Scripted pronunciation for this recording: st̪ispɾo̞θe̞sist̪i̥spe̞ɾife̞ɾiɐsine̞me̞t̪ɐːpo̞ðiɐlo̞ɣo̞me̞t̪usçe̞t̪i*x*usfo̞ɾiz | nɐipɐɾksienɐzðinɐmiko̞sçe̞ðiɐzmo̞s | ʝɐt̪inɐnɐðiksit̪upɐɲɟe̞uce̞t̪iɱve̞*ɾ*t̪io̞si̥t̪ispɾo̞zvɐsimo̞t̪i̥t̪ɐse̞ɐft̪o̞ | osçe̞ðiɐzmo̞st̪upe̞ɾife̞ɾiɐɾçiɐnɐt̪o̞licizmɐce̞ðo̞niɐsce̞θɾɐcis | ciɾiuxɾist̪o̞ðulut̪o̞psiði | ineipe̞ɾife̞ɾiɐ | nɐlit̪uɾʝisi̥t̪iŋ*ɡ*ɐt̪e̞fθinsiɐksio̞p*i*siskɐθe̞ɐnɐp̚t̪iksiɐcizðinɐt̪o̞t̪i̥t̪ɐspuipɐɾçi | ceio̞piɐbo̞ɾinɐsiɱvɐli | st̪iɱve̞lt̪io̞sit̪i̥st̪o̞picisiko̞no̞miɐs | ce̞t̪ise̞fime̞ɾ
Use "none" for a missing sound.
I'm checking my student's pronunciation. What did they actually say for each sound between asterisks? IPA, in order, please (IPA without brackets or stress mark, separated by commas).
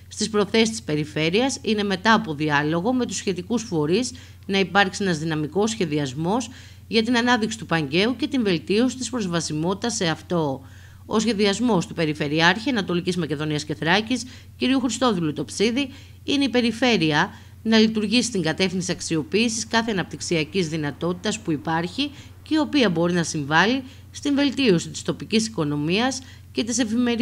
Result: k, l, ɡ, iː